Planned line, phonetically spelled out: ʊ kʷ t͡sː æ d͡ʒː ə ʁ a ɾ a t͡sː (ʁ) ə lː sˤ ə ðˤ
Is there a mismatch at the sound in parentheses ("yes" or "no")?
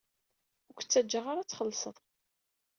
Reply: yes